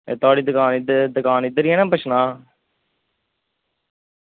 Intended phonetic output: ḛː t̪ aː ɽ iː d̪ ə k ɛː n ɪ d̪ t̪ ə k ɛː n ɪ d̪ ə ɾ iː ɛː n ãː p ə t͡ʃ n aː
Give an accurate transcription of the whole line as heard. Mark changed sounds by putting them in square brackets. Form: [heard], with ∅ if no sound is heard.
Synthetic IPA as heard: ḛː t̪ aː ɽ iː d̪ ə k [aː] n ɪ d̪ [d̪] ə k [aː] n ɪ d̪ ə ɾ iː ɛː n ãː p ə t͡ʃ n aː